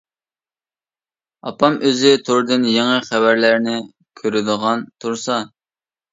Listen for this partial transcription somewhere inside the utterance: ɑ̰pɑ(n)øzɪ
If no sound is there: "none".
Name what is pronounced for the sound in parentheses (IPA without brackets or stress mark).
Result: m